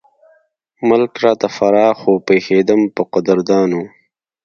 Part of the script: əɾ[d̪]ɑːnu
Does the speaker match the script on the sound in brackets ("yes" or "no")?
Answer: yes